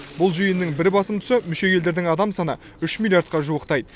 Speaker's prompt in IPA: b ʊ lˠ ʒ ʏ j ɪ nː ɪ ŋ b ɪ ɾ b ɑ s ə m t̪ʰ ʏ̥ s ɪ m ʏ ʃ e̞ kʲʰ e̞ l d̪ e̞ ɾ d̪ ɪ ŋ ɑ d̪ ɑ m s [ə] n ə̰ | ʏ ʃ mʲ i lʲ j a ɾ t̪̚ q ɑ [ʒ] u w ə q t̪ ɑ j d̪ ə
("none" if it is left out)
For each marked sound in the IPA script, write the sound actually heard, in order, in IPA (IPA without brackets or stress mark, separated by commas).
ɑ, ʒ